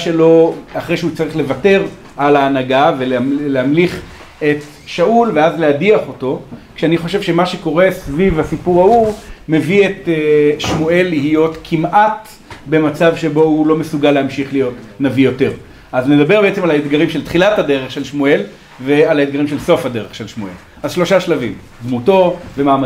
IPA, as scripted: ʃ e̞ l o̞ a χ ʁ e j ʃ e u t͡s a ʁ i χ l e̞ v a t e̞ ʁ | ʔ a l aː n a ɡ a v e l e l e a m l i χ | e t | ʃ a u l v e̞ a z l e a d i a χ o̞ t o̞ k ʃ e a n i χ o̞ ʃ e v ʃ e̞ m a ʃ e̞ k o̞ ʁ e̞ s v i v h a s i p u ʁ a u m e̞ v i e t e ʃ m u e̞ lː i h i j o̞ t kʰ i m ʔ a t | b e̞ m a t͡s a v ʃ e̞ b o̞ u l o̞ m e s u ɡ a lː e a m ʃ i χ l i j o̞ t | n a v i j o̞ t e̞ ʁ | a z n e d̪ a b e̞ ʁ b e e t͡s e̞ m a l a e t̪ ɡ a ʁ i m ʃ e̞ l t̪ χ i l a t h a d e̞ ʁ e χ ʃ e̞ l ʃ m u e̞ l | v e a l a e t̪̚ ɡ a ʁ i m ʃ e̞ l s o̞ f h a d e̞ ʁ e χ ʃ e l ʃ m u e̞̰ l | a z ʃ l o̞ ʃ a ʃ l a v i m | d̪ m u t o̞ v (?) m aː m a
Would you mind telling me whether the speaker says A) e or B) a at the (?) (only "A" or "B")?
A